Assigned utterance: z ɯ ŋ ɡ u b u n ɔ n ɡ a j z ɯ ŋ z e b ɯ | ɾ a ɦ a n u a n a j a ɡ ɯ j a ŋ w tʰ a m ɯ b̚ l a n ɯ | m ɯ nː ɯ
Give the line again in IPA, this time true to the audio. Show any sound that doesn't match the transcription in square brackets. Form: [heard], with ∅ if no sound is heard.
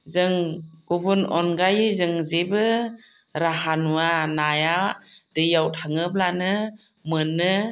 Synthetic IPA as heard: z ɯ ŋ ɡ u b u n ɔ n ɡ a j z ɯ ŋ z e b ɯ | ɾ a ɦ a n u a n a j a [d] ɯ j a [∅] w tʰ a [ŋ] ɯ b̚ l a n ɯ | m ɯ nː ɯ